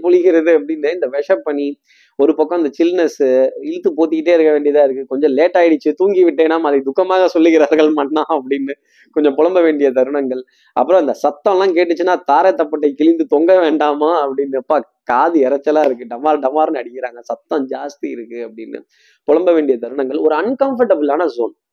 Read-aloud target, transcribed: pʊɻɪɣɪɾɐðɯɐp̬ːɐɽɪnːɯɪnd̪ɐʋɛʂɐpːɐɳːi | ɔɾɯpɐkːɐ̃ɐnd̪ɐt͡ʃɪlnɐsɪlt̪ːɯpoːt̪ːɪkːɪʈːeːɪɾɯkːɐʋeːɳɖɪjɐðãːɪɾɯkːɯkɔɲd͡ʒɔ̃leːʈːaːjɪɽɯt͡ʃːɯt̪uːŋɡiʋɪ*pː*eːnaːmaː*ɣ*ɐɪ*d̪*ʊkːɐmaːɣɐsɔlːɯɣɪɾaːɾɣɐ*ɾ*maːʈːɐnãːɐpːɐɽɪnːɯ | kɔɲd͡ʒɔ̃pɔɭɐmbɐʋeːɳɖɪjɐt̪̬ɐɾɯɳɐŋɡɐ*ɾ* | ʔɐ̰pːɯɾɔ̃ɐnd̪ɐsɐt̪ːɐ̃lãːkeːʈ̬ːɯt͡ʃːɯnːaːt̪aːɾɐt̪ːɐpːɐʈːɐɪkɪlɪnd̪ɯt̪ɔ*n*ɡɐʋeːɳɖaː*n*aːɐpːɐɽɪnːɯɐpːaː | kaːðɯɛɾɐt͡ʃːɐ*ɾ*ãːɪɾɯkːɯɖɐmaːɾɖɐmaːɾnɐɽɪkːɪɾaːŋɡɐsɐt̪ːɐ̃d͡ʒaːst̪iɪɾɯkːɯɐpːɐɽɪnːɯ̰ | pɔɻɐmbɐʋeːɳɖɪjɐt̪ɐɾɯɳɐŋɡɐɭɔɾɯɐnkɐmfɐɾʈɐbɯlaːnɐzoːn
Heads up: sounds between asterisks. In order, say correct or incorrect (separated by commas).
incorrect, incorrect, correct, incorrect, incorrect, incorrect, incorrect, incorrect